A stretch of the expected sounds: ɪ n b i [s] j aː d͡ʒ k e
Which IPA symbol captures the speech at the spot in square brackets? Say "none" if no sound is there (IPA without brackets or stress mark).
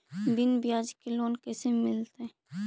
none